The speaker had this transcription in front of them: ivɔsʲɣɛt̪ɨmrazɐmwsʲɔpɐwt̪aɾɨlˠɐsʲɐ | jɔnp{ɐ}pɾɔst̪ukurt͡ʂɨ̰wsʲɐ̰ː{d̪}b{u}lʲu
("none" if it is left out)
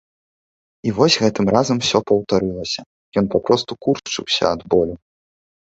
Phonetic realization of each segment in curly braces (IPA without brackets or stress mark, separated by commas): a, d̪, ɔ